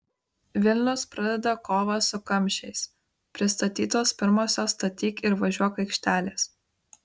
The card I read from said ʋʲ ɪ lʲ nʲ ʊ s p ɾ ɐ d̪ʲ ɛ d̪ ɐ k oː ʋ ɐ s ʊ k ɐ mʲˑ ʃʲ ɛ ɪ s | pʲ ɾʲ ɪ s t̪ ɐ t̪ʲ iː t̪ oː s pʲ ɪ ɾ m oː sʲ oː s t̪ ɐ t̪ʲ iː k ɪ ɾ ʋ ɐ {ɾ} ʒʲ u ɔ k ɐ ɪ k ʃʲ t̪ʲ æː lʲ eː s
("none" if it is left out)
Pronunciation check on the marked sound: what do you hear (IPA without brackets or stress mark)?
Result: none